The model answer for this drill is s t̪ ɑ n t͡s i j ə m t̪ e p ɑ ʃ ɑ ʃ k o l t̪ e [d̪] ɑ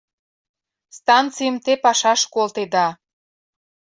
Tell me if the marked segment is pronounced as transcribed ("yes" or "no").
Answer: yes